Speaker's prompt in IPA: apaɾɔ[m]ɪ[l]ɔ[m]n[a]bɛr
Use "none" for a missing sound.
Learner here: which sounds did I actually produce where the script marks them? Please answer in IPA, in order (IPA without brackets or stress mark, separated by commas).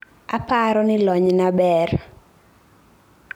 n, l, ɲ, a